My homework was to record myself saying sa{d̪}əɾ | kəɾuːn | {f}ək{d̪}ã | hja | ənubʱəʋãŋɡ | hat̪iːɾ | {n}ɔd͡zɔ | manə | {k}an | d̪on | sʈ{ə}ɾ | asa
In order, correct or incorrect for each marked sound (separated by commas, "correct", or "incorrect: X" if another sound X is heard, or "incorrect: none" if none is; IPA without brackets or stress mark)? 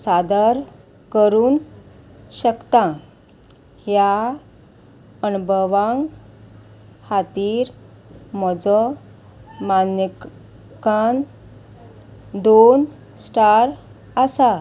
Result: correct, incorrect: ɕ, incorrect: t̪, incorrect: m, correct, incorrect: a